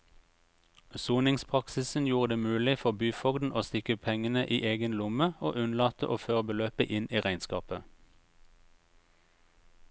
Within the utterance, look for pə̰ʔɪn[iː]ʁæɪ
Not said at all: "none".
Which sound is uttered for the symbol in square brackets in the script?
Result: iː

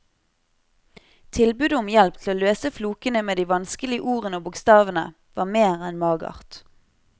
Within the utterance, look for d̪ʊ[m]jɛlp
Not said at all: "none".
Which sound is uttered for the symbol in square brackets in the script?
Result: m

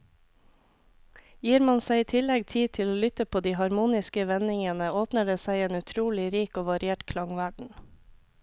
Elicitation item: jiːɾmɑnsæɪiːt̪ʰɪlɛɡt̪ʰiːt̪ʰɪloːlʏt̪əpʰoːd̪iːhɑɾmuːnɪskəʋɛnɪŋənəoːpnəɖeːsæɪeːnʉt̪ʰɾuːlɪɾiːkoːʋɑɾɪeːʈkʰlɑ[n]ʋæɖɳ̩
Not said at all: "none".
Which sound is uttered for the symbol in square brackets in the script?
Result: ŋ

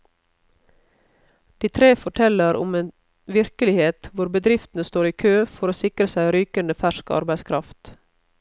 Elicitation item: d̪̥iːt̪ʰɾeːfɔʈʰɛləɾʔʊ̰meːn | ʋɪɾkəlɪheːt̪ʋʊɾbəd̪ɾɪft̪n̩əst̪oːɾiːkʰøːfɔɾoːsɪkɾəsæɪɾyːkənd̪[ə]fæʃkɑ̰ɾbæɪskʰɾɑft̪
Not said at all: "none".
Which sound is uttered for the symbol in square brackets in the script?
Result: ə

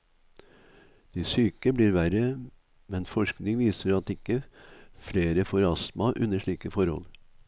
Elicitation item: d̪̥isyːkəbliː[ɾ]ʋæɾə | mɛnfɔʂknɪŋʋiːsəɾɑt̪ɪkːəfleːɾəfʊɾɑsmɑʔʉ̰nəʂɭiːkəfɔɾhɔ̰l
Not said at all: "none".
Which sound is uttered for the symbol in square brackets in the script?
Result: ɾ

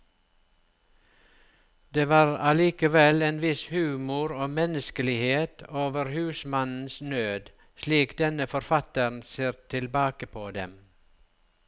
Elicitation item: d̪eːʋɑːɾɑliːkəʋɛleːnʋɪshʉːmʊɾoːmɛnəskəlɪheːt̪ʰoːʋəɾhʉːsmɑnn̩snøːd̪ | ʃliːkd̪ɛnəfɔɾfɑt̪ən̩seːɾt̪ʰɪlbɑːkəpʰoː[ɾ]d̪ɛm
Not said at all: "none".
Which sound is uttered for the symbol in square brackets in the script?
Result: none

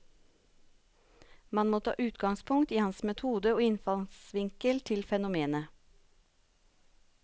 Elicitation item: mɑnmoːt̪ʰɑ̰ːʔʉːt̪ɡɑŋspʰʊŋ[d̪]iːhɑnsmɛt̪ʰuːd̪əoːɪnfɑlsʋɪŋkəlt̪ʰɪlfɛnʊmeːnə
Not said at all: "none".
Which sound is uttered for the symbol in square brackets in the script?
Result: t̪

